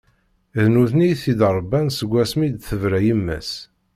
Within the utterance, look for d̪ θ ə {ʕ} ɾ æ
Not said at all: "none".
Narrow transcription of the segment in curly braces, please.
v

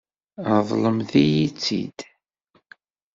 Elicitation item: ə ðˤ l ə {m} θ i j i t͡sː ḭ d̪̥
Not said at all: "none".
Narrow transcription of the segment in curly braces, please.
m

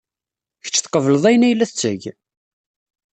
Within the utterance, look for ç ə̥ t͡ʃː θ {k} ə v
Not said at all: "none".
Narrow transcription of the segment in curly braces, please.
q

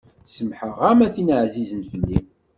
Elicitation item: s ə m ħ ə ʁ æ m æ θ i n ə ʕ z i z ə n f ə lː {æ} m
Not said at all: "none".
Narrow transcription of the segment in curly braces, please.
i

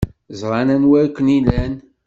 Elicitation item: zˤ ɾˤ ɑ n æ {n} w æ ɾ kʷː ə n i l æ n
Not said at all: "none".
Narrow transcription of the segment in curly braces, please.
n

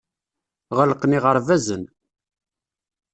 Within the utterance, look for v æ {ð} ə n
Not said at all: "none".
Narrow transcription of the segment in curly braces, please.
z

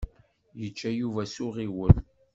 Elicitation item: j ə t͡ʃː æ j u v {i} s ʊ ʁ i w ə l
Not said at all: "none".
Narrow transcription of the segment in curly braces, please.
æ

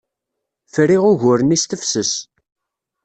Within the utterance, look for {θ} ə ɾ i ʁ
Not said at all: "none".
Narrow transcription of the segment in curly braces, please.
f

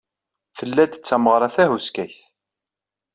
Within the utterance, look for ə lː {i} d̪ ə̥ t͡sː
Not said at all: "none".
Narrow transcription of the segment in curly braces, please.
æ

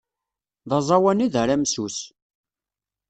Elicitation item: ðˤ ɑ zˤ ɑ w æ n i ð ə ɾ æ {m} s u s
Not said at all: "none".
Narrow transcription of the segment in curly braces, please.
m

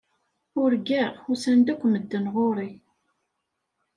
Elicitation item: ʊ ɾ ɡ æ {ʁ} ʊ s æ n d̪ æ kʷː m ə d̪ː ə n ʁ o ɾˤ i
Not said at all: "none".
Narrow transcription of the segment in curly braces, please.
ʁ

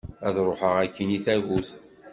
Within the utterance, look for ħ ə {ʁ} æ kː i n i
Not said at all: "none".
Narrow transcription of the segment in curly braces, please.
ʁ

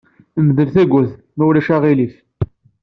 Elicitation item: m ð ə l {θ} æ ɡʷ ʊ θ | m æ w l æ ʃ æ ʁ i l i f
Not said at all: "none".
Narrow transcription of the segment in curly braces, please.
θ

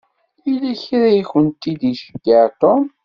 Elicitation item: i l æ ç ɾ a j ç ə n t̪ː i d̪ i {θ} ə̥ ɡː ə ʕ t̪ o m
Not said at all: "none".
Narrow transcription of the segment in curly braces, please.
ʃ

